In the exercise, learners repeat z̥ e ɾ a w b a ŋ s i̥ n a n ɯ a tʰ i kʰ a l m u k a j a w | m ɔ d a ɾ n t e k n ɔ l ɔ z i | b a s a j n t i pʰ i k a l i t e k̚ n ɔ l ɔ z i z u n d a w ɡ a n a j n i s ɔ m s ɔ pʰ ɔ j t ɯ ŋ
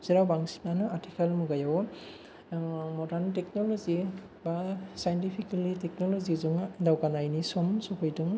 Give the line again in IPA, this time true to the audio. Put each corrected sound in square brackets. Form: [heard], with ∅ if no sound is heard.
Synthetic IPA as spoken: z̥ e ɾ a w b a ŋ s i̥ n a n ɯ a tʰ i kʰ a l m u [ɡ] a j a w | m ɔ d a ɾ n t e k n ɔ l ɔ z i | b a s a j n t i pʰ i k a l i t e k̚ n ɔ l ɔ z i z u [ŋ] d a w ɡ a n a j n i s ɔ m s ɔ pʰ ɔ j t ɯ ŋ

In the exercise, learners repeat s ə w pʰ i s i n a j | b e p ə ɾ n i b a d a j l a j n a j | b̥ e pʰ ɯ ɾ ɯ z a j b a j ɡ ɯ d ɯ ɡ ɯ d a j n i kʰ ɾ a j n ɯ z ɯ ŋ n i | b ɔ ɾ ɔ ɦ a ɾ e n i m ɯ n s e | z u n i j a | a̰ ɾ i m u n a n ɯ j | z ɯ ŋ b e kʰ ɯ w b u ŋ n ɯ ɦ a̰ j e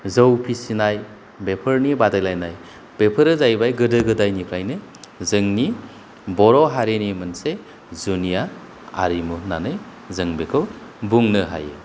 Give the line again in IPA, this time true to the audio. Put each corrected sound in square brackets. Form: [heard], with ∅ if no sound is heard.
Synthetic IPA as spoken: [z] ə w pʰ i s i n a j | b e [pʰ] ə ɾ n i b a d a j l a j n a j | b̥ e pʰ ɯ ɾ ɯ z a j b a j ɡ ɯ d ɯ ɡ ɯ d a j n i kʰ ɾ a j n ɯ z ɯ ŋ n i | b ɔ ɾ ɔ ɦ a ɾ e n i m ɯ n s e | z u n i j a | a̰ ɾ i m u n a n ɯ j | z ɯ ŋ b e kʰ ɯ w b u ŋ n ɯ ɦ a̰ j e

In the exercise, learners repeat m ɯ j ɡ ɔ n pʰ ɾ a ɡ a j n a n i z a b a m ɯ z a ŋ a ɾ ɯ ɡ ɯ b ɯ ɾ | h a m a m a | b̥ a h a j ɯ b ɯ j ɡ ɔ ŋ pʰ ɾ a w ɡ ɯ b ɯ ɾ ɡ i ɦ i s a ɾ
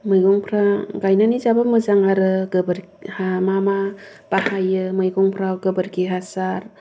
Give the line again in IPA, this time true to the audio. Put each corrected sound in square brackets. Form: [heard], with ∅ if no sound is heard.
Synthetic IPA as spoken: m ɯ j ɡ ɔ [ŋ] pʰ ɾ a ɡ a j n a n i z a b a m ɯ z a ŋ a ɾ ɯ ɡ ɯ b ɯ ɾ | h a m a m a | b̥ a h a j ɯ [m] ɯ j ɡ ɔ ŋ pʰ ɾ a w ɡ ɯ b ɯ ɾ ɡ i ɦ [a] s a ɾ

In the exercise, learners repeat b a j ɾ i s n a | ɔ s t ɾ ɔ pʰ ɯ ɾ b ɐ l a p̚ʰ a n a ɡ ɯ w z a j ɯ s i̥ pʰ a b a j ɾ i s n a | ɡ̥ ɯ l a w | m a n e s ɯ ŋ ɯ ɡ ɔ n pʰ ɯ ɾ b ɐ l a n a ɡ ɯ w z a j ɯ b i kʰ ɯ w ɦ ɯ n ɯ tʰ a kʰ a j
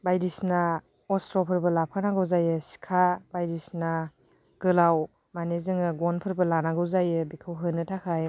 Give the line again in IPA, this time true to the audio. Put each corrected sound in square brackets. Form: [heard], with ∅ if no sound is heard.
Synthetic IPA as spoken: b a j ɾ i s n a | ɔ s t ɾ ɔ pʰ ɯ ɾ b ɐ l a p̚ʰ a n a ɡ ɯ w z a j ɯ s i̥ [kʰ] a b a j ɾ i s n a | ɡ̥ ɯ l a w | m a n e [z] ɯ ŋ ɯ ɡ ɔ n pʰ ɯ ɾ b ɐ l a n a ɡ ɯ w z a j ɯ b i kʰ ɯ w ɦ ɯ n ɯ tʰ a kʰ a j

